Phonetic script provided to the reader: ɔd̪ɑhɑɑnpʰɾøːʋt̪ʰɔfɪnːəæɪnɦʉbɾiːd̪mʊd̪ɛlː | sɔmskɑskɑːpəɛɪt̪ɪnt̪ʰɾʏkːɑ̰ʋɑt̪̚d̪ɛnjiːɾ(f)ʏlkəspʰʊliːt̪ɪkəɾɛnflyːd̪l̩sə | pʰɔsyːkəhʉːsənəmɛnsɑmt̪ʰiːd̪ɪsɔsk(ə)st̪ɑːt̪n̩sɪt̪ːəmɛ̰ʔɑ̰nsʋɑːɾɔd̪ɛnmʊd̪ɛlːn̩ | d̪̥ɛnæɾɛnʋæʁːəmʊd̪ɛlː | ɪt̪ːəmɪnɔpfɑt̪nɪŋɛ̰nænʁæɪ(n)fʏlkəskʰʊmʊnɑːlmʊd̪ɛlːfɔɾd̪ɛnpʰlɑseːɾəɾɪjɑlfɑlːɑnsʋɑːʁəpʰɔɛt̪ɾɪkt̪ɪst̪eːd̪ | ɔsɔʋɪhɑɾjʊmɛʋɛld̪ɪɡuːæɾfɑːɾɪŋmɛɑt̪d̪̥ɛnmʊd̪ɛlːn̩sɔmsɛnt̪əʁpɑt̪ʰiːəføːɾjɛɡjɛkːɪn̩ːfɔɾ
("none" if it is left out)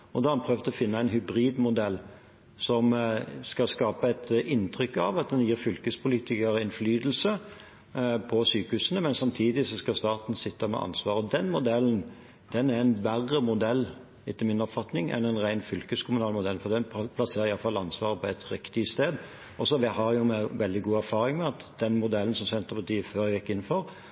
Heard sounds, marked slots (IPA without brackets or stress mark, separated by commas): f, ɑ, n